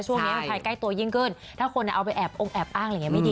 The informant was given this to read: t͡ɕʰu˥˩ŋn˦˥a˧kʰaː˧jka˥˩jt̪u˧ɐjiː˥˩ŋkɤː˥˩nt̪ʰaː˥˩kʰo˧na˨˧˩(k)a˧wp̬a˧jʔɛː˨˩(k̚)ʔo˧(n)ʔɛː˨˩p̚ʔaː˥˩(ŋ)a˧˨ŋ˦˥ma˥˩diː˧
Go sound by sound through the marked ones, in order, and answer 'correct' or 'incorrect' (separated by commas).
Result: incorrect, incorrect, incorrect, correct